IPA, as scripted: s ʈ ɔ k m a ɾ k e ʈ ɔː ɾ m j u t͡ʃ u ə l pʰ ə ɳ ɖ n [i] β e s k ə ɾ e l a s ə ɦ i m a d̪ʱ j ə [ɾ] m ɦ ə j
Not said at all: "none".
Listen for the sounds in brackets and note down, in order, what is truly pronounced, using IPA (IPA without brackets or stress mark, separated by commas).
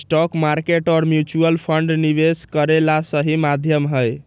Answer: i, none